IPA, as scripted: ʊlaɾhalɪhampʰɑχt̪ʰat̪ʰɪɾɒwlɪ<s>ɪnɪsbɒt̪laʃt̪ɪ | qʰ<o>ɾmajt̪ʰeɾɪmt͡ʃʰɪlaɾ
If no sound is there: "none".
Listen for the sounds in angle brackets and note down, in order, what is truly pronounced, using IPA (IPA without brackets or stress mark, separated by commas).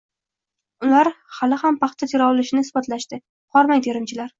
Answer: ʃ, ɒ